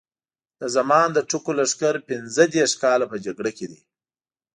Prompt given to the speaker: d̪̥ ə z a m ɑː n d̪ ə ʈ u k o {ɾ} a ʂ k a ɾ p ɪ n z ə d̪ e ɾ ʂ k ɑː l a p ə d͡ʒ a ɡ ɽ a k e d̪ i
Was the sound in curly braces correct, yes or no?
no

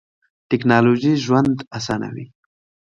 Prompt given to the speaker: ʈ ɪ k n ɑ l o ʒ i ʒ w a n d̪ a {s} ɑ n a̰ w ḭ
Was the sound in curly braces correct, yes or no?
yes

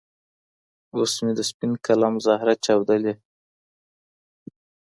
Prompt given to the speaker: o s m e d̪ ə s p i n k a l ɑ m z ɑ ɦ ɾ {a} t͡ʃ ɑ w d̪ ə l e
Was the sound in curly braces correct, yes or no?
yes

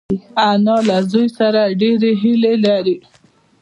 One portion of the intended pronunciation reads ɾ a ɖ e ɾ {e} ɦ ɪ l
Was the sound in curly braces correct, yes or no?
yes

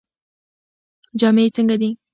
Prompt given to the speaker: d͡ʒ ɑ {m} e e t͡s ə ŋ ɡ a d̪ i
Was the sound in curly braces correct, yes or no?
yes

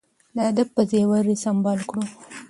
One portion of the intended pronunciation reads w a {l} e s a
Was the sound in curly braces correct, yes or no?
no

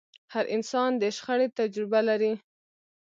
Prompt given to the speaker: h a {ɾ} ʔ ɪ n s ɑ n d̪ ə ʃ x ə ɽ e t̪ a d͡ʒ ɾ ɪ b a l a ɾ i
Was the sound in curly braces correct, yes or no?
yes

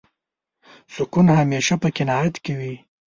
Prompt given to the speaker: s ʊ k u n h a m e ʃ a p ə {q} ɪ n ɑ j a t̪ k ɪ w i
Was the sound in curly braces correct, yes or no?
no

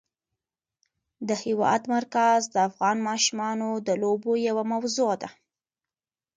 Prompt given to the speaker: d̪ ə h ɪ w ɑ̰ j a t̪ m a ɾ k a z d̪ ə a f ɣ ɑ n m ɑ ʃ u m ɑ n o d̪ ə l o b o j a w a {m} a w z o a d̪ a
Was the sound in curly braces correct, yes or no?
yes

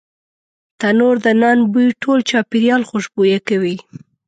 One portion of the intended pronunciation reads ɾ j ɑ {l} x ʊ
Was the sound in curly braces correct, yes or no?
yes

